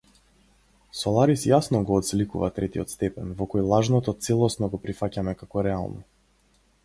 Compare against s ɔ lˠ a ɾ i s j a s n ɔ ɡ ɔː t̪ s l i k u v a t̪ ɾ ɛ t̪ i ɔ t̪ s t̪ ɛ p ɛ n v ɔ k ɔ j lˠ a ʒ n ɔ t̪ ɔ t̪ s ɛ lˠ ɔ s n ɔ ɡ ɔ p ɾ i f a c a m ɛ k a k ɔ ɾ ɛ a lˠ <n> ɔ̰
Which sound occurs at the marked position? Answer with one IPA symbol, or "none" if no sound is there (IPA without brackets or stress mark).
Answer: n